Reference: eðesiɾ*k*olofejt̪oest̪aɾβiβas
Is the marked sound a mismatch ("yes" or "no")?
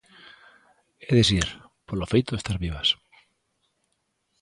yes